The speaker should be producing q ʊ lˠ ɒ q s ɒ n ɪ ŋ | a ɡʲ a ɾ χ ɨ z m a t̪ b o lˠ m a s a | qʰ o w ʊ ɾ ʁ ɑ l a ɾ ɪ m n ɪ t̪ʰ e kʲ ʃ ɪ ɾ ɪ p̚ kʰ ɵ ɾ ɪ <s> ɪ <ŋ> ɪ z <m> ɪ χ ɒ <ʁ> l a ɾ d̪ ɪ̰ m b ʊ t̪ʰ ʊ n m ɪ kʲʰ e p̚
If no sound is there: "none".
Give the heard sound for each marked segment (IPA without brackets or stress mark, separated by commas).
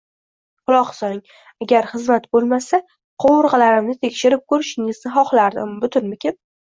ʃ, ŋ, n, χ